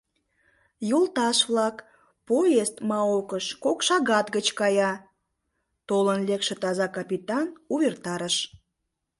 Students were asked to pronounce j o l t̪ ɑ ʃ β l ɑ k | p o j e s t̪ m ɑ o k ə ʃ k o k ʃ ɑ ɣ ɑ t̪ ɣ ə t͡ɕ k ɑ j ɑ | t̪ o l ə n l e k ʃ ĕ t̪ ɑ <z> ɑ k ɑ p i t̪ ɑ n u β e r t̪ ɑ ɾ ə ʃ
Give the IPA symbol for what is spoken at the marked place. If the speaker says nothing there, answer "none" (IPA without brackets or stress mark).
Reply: z